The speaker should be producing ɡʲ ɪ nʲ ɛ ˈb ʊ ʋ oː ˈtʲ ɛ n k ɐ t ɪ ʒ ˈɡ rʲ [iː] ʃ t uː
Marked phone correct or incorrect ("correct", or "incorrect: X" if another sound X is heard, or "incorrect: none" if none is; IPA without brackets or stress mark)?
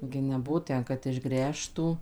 incorrect: æː